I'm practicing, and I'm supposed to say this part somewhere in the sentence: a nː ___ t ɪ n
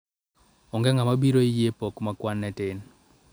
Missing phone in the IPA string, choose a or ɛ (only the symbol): ɛ